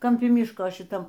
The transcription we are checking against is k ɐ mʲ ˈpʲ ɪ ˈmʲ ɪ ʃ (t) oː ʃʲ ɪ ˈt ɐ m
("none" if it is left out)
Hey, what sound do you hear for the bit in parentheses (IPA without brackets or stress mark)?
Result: k